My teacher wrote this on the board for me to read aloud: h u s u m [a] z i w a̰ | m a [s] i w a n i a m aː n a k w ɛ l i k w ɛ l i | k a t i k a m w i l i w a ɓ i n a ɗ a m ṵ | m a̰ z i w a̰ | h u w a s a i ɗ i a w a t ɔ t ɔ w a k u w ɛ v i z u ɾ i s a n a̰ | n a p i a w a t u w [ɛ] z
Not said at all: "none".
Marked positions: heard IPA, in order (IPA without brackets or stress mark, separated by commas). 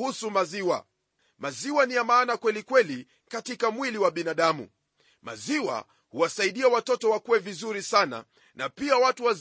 a, z, a